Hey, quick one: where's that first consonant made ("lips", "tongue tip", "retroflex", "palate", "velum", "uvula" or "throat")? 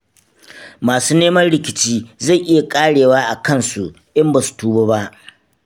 lips